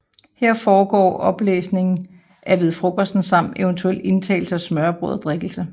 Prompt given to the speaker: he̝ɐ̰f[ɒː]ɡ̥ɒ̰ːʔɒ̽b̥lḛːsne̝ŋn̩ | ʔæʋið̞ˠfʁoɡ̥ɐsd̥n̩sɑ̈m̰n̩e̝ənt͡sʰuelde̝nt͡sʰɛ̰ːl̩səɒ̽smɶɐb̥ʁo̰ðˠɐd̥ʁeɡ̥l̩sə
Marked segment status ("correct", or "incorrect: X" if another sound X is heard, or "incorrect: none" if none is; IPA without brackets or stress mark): correct